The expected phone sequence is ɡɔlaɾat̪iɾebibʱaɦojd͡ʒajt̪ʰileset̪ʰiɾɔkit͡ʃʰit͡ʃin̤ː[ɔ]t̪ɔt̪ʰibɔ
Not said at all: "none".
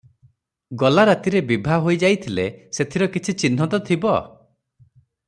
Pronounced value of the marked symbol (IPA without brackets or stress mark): ɔ